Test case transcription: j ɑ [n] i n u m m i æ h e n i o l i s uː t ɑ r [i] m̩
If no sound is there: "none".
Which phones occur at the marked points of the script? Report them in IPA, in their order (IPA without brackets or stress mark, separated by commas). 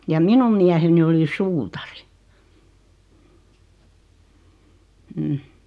m, i